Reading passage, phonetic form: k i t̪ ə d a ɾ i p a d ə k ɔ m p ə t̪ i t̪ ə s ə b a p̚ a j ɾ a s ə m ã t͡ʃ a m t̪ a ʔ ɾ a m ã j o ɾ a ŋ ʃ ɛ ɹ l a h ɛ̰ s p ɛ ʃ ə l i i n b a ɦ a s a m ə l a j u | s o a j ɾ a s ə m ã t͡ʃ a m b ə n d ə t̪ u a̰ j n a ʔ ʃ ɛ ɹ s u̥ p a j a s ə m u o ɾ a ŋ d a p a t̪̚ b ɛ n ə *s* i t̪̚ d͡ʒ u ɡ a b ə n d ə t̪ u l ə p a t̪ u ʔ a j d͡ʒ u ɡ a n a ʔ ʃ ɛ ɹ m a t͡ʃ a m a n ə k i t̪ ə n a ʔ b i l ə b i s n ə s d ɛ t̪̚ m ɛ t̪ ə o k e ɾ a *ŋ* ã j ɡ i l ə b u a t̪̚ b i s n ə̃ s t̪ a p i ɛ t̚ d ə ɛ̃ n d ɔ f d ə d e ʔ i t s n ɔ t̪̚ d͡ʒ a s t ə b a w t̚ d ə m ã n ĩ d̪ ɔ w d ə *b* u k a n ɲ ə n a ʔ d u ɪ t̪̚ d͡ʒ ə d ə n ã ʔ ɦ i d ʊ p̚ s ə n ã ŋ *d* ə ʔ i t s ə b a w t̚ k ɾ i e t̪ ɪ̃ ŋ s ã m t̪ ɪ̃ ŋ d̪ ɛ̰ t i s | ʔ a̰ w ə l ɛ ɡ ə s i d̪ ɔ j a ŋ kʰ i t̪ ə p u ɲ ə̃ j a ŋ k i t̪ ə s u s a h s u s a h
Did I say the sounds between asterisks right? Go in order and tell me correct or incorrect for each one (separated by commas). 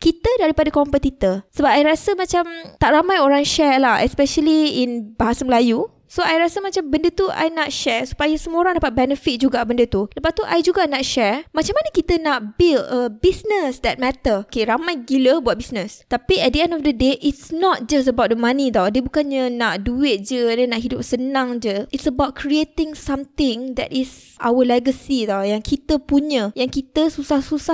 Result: incorrect, incorrect, correct, incorrect